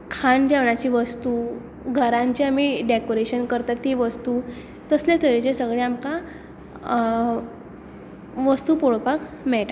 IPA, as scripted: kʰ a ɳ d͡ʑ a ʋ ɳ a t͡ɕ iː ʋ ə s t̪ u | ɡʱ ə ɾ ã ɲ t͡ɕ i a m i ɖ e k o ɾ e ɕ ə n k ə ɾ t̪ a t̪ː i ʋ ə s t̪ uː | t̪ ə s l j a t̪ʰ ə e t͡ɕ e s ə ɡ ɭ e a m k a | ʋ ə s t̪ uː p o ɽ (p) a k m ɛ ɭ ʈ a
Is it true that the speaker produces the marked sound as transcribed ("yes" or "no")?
yes